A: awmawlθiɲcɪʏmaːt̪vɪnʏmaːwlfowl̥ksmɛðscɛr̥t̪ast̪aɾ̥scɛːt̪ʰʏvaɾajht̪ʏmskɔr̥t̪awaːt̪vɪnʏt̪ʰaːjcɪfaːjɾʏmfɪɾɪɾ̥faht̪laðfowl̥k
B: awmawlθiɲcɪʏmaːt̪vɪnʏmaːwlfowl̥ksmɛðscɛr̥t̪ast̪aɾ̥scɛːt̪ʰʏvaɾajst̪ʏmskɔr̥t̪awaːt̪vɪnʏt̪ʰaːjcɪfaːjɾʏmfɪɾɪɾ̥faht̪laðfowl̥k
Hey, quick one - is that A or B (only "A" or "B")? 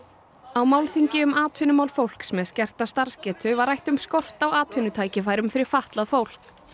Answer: A